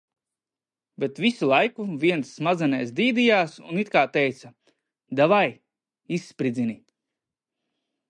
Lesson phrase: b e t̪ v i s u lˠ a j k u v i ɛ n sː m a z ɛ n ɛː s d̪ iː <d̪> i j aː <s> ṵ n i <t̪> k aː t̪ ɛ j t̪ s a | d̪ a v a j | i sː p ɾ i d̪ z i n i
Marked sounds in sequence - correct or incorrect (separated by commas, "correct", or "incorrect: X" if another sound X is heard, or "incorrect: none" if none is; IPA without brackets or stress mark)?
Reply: correct, correct, correct